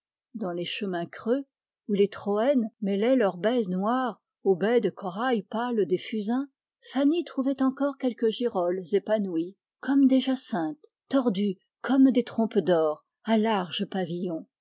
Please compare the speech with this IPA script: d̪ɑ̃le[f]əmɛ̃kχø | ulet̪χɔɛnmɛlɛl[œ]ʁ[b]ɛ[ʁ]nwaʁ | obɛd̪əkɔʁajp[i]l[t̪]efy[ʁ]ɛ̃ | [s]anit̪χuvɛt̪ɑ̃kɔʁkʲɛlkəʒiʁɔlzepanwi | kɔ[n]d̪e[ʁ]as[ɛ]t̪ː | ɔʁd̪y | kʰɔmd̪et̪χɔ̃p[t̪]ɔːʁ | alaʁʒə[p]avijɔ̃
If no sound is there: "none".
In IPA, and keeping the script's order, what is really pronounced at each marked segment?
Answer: ʃ, œ, b, z, a, d̪, z, f, m, ʒ, ɛ̃, d̪, p

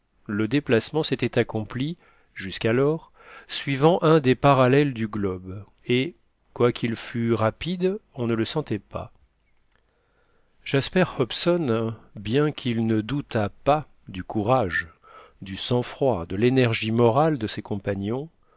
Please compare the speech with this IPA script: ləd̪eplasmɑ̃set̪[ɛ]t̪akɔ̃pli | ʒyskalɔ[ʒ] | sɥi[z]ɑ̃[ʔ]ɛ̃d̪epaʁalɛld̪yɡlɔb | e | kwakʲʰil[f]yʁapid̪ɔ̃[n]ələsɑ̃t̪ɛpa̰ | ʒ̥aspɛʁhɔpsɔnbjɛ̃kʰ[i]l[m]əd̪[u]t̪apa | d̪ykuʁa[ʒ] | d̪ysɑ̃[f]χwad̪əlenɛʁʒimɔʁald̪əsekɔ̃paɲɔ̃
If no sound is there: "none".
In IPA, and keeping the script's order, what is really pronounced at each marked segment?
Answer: ɛ, ʁ, v, ʔ, f, n, i, n, u, ʒ, f

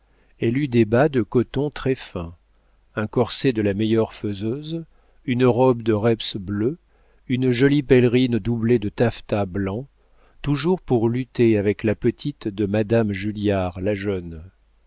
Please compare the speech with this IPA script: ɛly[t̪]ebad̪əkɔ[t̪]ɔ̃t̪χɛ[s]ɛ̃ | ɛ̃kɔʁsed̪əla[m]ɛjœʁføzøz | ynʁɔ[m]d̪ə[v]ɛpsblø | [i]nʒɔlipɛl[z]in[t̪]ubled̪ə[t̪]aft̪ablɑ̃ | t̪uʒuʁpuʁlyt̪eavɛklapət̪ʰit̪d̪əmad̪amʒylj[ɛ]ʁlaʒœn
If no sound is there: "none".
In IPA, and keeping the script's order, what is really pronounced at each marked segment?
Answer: d̪, t̪, f, m, b, ʁ, y, ʁ, d̪, t̪, a

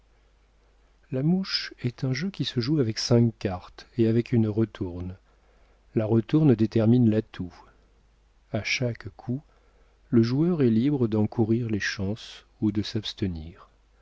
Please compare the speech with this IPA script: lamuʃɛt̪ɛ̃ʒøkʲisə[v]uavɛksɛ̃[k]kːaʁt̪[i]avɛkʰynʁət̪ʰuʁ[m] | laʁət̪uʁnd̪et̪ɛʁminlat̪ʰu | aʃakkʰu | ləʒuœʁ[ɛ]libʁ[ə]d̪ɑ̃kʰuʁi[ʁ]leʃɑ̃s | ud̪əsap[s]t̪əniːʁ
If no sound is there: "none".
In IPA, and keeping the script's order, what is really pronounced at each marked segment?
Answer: ʒ, k, e, n, ɛ, ə, ʁ, s

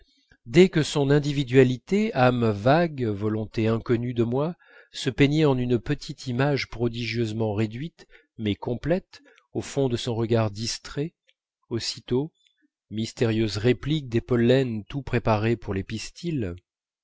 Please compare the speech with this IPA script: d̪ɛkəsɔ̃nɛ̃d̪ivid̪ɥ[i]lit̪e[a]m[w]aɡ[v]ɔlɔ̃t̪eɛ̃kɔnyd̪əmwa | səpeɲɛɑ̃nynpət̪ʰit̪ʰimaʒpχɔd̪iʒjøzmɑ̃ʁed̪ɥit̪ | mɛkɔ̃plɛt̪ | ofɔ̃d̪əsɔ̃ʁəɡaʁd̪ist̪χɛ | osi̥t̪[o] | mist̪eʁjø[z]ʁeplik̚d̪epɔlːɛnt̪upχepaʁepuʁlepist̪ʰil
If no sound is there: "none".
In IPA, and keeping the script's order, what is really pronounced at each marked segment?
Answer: a, a, v, v, o, z

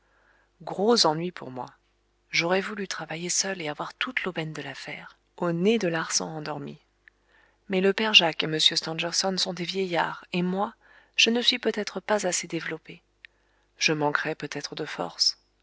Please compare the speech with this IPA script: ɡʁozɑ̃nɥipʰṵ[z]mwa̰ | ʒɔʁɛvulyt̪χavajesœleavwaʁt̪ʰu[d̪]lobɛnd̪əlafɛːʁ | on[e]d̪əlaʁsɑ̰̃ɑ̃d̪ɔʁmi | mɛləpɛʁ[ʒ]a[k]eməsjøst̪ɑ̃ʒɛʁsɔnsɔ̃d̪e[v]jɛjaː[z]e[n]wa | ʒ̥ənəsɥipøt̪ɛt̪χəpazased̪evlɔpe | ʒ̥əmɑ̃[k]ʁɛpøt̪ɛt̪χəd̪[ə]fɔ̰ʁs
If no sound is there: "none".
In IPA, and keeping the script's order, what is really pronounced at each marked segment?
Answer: ʁ, t̪, e, ʒ, k, v, ʁ, m, k, ə

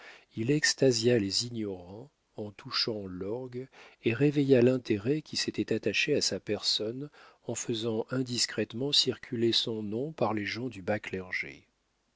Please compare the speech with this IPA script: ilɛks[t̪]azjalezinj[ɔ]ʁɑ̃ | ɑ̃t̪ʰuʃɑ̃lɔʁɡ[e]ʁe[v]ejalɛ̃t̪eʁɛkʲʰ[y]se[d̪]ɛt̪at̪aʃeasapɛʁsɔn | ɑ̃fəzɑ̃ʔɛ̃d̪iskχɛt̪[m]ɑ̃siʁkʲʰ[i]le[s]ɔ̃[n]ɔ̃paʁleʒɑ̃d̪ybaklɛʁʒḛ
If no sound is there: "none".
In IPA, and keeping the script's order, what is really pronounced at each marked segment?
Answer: t̪, ɔ, e, v, i, t̪, m, y, s, n

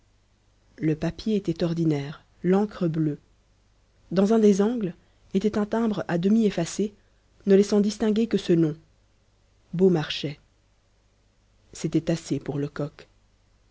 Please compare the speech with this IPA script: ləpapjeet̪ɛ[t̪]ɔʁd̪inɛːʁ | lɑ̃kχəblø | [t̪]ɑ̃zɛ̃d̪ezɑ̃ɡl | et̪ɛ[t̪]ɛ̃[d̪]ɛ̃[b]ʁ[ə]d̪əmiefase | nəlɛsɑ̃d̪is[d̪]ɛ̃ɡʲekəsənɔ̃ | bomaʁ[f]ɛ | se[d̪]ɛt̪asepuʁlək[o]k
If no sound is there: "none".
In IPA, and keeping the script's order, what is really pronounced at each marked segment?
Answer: t̪, d̪, t̪, t̪, b, a, t̪, ʃ, t̪, ɔ

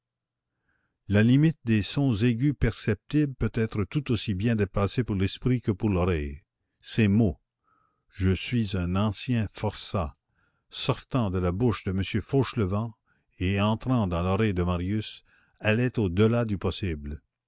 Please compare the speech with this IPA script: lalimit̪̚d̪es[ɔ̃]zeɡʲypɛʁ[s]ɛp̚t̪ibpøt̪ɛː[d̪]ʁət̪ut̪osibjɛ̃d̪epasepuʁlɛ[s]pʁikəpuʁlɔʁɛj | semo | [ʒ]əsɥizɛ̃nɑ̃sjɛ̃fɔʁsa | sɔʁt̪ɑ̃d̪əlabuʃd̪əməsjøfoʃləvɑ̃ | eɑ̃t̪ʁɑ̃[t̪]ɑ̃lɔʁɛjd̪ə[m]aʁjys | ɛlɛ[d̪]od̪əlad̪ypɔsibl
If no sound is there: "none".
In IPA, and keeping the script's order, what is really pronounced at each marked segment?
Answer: ɔ̃, s, t̪, s, ʒ, d̪, m, t̪

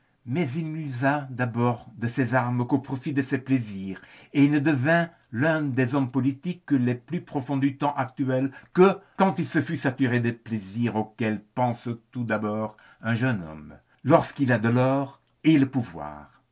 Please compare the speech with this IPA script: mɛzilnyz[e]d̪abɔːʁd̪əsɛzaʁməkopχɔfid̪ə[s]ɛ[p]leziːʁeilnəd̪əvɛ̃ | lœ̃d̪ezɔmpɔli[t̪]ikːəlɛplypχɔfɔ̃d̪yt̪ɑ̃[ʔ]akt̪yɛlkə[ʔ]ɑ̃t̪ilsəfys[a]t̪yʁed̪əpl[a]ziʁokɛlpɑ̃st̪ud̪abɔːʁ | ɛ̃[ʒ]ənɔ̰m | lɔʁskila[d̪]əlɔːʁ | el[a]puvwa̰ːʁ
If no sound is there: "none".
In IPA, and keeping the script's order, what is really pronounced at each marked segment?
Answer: a, s, p, t̪, ʔ, k, a, e, ʒ, d̪, ə

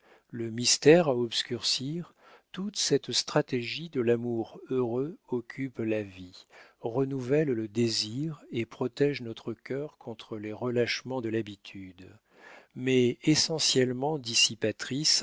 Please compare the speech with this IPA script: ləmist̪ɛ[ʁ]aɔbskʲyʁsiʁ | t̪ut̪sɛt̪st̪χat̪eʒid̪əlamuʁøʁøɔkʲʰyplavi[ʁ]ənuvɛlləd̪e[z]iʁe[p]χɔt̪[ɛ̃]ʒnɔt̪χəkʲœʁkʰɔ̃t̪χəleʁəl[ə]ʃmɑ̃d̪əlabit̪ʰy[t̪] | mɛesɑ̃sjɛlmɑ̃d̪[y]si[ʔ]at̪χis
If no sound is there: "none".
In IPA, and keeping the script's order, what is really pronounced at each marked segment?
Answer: ʁ, ʁ, z, p, ɛ, a, d̪, i, p

